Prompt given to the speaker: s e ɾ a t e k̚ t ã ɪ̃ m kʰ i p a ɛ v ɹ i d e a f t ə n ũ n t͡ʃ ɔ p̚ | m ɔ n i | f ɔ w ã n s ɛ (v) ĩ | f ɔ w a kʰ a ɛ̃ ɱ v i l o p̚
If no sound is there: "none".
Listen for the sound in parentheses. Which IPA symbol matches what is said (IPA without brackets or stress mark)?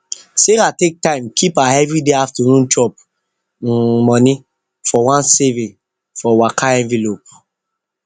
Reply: v